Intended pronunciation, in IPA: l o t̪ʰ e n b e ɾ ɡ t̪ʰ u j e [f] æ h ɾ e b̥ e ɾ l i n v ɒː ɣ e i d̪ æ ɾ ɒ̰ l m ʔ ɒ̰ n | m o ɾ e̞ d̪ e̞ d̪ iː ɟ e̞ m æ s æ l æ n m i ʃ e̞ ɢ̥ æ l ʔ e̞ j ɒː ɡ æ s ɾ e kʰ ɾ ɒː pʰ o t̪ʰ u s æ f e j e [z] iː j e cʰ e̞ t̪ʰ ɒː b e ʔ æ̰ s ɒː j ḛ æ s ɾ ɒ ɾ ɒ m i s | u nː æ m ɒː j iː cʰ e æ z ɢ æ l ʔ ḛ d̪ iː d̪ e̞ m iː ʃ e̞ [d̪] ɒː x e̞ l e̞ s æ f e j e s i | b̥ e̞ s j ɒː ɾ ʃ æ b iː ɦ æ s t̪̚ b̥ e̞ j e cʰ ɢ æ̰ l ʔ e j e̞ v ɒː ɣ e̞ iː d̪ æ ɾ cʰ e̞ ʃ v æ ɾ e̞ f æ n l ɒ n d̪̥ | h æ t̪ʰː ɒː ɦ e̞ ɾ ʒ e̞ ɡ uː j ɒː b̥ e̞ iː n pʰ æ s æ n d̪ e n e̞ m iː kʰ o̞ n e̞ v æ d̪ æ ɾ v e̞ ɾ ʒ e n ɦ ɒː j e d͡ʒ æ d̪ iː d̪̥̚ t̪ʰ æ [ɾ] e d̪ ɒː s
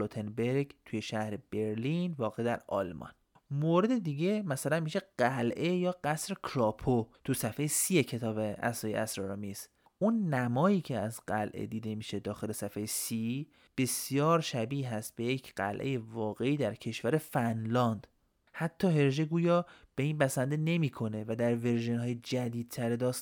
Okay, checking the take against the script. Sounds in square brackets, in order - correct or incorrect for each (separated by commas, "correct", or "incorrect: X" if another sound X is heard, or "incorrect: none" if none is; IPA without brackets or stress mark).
incorrect: ʃ, incorrect: s, correct, correct